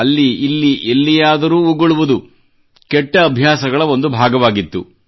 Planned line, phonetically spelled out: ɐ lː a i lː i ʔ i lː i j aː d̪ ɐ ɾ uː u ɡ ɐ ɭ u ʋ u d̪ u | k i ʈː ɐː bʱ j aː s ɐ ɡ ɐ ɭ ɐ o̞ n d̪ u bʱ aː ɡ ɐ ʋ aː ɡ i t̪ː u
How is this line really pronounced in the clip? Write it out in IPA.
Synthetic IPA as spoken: ɐ lː i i lː i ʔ e lː i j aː d̪ ɐ ɾ uː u ɡ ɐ ɭ u ʋ u d̪ u | k ɛ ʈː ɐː bʱ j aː s ɐ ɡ ɐ ɭ ɐ o̞ n d̪ u bʱ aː ɡ ɐ ʋ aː ɡ i t̪ː u